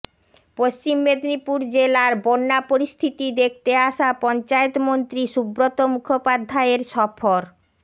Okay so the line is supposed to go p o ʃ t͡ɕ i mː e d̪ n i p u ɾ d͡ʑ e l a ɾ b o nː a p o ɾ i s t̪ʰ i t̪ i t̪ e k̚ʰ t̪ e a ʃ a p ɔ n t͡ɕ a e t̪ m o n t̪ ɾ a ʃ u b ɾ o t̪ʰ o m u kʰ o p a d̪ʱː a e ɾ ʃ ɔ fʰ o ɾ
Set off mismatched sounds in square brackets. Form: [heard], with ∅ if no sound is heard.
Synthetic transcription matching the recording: p o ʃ t͡ɕ i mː e d̪ n i p u ɾ d͡ʑ e l a ɾ b o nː a p o ɾ i s t̪ʰ i t̪ i [d̪] e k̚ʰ t̪ e a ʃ a p ɔ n t͡ɕ a e t̪ m o n t̪ ɾ [i] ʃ u b ɾ o [t̪] o m u kʰ o p a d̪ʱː a e ɾ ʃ ɔ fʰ o ɾ

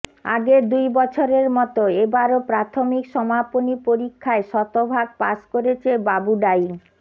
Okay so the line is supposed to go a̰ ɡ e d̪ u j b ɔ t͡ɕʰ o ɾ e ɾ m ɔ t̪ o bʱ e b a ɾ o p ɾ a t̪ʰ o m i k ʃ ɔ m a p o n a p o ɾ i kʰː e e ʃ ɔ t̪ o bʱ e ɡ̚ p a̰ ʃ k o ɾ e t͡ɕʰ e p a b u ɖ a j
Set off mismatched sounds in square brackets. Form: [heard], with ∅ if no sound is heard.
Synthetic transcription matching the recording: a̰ ɡ e d̪ u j b ɔ t͡ɕʰ o ɾ e ɾ m ɔ t̪ o [∅] e b a ɾ o p ɾ a t̪ʰ o m i k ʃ ɔ m a p o n [i] p o ɾ i kʰː [a] e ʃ ɔ t̪ o bʱ [a] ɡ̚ p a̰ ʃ k o ɾ e t͡ɕʰ e [b] a b u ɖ a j

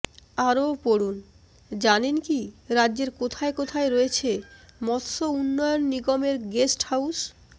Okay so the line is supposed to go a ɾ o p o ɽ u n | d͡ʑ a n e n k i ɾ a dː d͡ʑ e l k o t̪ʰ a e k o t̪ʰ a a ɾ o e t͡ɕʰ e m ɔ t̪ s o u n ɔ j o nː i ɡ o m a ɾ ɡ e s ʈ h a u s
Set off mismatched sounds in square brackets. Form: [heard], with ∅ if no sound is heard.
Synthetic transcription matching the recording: a ɾ o p o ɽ u n | d͡ʑ a n e n k i ɾ a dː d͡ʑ e [ɾ] k o t̪ʰ a e k o t̪ʰ a [e] ɾ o e t͡ɕʰ e m ɔ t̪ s o u [nː] ɔ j o nː i ɡ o m [e] ɾ ɡ e s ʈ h a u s

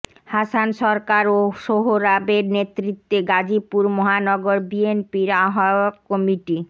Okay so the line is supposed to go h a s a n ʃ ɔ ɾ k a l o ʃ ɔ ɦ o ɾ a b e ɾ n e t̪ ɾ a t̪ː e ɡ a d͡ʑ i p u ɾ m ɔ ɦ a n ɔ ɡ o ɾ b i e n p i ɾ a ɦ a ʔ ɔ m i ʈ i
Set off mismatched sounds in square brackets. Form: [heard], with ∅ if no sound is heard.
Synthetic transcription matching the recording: h a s a n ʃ ɔ ɾ k a [ɾ] o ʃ [o] ɦ o ɾ a b e ɾ n e t̪ ɾ [i] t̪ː e ɡ a d͡ʑ i p u ɾ m ɔ ɦ a n ɔ ɡ o ɾ b i e n p i ɾ a ɦ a [k] ɔ m i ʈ i

